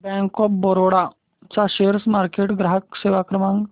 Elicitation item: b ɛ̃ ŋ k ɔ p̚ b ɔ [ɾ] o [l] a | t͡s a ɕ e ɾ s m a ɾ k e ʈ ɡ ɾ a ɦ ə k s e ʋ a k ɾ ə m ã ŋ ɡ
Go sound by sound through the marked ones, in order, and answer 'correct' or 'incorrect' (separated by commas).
correct, incorrect